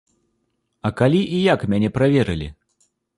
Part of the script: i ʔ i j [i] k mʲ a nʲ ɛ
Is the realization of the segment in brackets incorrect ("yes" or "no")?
yes